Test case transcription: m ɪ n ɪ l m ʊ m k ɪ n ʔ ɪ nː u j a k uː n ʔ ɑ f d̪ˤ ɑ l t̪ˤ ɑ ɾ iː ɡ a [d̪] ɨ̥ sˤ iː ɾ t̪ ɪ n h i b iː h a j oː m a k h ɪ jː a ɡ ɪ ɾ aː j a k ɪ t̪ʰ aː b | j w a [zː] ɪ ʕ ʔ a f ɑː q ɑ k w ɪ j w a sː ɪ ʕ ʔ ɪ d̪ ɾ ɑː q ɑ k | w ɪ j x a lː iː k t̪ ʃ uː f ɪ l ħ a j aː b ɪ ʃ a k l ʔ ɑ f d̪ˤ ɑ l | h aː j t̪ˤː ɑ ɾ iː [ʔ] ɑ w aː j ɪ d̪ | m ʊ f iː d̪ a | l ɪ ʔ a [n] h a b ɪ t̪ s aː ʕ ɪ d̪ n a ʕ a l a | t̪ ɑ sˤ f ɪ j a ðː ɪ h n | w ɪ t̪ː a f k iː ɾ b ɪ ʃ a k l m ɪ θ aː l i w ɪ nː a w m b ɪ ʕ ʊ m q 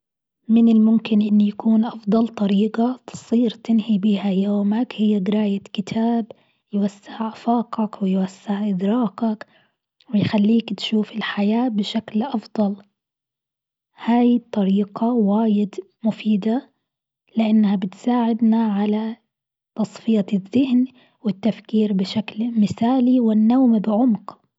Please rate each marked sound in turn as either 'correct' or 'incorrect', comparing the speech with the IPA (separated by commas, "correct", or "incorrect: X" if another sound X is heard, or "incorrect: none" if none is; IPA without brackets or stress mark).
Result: incorrect: t̪, incorrect: sː, incorrect: q, incorrect: nː